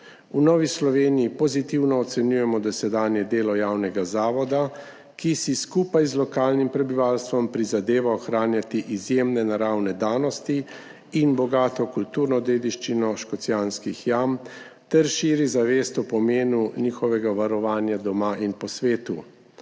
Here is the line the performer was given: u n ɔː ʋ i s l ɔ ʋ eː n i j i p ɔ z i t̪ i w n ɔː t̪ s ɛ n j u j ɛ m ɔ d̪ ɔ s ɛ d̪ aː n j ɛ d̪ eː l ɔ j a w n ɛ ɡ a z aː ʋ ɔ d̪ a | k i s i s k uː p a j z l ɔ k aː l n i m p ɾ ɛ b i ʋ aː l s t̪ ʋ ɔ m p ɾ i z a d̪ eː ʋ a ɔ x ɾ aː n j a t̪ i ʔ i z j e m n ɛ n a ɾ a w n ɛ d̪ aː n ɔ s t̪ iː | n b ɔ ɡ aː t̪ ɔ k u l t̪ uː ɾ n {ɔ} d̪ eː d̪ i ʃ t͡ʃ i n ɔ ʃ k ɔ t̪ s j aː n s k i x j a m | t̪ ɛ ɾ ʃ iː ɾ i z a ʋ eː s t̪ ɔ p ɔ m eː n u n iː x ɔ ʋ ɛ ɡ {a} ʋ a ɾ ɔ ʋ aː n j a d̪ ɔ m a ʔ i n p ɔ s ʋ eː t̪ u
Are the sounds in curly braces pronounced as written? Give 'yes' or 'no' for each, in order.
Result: yes, yes

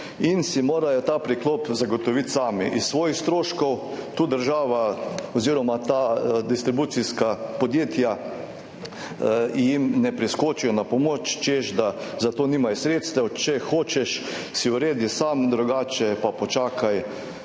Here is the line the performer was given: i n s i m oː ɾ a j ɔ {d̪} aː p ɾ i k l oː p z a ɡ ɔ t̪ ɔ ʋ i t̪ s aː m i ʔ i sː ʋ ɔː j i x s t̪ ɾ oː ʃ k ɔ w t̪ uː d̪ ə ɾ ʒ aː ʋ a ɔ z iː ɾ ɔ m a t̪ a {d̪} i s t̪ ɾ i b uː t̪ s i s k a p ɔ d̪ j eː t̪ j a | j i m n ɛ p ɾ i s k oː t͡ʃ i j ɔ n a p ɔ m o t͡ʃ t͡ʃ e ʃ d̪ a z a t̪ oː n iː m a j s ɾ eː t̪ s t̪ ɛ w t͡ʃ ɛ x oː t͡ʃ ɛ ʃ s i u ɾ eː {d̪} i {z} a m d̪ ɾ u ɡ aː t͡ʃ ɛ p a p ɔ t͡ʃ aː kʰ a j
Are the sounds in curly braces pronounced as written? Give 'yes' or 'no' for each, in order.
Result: no, yes, yes, no

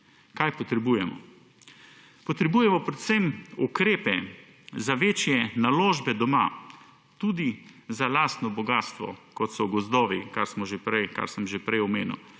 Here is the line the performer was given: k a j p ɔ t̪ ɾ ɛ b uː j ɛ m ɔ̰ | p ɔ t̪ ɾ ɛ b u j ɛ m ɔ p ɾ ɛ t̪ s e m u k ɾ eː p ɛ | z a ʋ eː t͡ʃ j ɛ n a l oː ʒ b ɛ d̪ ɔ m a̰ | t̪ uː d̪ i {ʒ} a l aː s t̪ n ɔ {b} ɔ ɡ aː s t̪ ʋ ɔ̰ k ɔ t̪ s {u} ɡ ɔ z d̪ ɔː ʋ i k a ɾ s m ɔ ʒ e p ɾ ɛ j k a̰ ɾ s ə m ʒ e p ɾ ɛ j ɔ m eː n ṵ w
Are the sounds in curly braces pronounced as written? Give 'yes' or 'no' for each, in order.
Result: no, yes, no

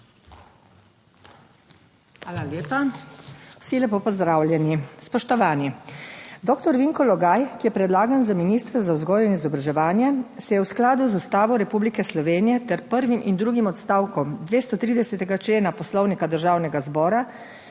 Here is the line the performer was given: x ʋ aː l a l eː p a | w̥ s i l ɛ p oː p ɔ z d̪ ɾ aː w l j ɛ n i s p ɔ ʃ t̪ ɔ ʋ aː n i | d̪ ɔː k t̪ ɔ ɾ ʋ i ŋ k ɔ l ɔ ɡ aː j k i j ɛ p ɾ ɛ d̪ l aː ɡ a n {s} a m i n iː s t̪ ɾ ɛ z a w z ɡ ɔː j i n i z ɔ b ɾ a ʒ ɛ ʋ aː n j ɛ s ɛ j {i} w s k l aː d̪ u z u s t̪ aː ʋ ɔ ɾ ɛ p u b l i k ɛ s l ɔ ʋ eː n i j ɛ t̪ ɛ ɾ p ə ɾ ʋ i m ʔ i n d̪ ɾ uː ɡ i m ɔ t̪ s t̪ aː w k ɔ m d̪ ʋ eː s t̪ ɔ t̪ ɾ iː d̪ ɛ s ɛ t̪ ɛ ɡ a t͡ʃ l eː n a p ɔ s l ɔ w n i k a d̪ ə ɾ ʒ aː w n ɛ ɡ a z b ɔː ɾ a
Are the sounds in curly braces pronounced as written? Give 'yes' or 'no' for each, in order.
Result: no, no

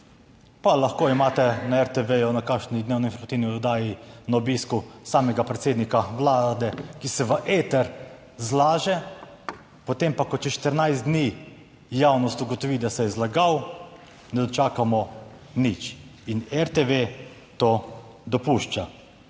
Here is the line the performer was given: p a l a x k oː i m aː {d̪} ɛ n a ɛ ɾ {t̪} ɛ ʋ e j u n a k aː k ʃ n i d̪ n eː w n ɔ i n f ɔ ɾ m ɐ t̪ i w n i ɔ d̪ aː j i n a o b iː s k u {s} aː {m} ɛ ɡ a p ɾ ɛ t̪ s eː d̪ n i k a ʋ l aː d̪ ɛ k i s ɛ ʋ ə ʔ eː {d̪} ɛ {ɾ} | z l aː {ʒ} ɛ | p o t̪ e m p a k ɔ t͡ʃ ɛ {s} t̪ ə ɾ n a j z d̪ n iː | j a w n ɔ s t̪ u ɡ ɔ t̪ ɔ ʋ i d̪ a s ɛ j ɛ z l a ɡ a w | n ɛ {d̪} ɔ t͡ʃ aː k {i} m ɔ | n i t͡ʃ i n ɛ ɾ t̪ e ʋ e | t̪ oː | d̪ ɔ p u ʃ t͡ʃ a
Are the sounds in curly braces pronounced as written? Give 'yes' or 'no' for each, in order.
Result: no, yes, yes, yes, no, yes, yes, no, yes, no

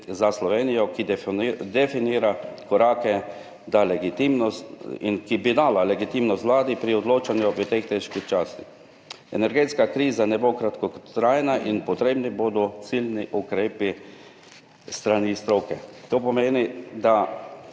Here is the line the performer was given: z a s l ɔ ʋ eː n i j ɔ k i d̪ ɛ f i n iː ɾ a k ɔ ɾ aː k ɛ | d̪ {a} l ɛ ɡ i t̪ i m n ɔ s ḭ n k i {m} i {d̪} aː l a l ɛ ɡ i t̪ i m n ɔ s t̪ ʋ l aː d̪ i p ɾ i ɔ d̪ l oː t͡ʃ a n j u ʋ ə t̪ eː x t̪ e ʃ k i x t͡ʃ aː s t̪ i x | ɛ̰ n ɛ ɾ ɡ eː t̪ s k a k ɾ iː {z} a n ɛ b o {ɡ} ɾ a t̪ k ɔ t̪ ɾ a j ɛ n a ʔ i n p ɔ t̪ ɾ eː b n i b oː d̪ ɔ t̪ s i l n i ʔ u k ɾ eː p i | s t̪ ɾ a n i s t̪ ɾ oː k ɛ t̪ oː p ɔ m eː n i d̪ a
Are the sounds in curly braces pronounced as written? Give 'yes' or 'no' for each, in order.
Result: yes, no, yes, yes, no

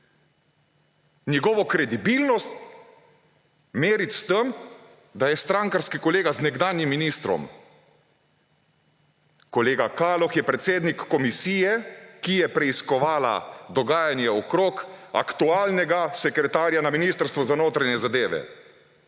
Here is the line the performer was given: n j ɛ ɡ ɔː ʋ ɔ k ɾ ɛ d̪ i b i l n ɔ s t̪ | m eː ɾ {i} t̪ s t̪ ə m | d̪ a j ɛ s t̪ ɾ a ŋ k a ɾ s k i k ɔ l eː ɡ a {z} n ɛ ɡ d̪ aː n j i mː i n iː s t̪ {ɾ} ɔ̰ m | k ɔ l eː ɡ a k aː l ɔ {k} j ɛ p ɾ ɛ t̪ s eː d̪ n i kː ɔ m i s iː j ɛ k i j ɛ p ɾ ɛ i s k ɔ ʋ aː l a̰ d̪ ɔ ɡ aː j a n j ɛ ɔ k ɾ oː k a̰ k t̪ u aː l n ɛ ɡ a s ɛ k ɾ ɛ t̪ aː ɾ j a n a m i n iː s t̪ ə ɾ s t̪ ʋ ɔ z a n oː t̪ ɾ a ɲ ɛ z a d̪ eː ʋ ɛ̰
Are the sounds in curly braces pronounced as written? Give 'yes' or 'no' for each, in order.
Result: yes, yes, yes, no

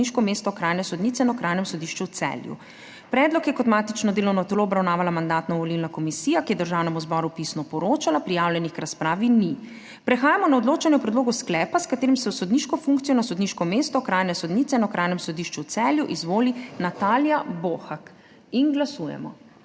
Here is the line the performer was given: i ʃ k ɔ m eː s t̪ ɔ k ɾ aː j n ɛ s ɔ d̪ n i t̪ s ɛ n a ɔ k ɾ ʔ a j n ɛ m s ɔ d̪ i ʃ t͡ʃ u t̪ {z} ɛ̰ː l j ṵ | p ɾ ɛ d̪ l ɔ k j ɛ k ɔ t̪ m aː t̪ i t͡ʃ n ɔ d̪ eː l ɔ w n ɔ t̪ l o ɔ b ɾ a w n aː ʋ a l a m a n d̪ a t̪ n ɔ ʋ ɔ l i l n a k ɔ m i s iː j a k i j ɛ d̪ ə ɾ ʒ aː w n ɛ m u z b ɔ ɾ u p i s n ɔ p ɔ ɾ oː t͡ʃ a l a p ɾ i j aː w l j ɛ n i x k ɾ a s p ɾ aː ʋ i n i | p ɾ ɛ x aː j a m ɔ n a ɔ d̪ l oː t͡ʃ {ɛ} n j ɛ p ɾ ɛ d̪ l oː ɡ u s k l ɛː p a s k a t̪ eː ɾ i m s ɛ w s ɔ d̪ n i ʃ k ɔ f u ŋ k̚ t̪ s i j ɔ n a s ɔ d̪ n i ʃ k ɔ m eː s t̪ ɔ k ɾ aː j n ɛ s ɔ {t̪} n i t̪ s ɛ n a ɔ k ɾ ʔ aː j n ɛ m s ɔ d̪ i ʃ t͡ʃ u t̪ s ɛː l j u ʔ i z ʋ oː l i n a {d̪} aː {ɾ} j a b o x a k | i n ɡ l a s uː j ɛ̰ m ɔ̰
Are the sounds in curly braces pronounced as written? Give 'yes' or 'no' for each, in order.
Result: no, no, no, no, no

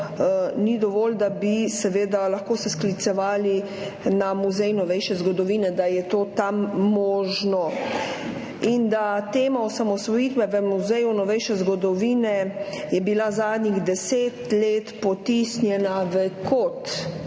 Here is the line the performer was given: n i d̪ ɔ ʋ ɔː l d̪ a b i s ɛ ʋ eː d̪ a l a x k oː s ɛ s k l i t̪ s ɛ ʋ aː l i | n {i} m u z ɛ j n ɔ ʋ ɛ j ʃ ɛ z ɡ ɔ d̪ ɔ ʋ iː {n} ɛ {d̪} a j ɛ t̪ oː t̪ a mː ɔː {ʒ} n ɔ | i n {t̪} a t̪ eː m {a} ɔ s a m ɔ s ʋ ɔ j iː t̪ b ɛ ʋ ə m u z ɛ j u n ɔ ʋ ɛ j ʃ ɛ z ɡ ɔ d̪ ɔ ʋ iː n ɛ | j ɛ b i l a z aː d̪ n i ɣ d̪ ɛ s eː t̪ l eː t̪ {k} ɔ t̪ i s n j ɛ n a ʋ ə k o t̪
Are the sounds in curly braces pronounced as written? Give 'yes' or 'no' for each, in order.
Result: no, yes, yes, yes, no, yes, no

